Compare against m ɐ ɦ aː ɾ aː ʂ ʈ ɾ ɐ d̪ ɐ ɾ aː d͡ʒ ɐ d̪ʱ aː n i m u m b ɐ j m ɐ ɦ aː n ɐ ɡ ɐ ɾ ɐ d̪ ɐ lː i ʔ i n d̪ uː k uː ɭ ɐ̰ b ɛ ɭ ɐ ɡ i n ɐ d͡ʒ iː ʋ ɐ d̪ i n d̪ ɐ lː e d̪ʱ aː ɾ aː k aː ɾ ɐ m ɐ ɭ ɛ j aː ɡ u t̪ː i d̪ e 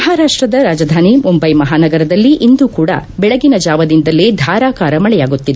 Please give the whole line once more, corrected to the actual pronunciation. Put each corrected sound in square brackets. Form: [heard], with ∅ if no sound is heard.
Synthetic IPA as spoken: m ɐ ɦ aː ɾ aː ʂ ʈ ɾ ɐ d̪ ɐ ɾ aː d͡ʒ ɐ d̪ʱ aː n i m u m b ɐ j m ɐ ɦ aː n ɐ ɡ ɐ ɾ ɐ d̪ ɐ lː i ʔ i n d̪ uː k uː [ɽ] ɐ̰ b ɛ ɭ ɐ ɡ i n ɐ d͡ʒ [aː] ʋ ɐ d̪ i n d̪ ɐ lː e d̪ʱ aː ɾ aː k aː ɾ ɐ m ɐ ɭ ɛ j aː ɡ u t̪ː i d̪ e